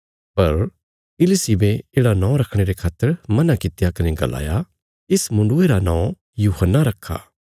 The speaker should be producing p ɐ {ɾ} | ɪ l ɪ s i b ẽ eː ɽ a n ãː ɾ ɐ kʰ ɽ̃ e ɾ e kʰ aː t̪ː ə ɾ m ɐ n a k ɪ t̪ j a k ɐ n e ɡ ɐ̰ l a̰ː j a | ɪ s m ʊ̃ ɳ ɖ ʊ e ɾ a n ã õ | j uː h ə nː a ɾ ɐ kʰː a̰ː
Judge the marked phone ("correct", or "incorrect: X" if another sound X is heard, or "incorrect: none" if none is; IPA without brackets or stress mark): correct